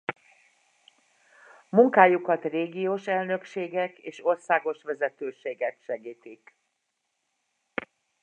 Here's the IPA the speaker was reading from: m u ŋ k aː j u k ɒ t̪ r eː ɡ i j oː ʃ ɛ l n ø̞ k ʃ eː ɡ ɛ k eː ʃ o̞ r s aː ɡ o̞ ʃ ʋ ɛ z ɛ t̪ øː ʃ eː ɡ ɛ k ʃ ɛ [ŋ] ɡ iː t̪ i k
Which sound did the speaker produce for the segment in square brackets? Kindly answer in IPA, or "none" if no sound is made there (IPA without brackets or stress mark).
none